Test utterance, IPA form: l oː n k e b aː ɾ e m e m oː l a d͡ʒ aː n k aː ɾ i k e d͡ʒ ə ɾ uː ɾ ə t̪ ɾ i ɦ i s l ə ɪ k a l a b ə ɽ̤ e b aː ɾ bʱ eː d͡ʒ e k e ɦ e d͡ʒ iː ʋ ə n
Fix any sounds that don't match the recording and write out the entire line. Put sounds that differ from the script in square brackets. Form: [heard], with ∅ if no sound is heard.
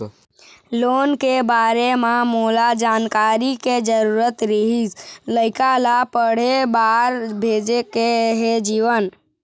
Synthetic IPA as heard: l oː n k e b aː ɾ e m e m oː l a d͡ʒ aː n k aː ɾ i k e d͡ʒ ə ɾ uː ɾ ə t̪ ɾ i ɦ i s l ə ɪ k a l a [p] ə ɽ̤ e b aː ɾ bʱ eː d͡ʒ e k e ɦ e d͡ʒ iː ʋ ə n

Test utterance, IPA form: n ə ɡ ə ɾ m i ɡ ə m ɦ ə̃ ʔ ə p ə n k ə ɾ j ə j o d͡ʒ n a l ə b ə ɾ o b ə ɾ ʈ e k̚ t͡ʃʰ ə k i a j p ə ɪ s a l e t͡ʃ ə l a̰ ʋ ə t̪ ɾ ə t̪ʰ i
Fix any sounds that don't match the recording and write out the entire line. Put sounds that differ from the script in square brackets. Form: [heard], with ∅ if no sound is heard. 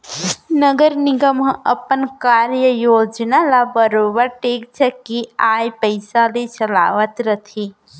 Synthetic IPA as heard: n ə ɡ ə ɾ [n] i ɡ ə m ɦ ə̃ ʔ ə p ə n k [a] ɾ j ə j o d͡ʒ n a l [a] b ə ɾ o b ə ɾ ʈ e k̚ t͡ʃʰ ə k i a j p ə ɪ s a l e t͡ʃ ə l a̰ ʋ ə t̪ ɾ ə t̪ʰ i

